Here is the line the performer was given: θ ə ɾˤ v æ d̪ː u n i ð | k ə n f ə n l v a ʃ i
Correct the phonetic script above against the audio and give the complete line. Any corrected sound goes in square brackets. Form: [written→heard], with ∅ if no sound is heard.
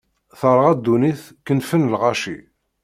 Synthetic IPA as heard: θ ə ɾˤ [v→ʁ] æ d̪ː u n i [ð→θ] | k ə n f ə n l [v→ʁ] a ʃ i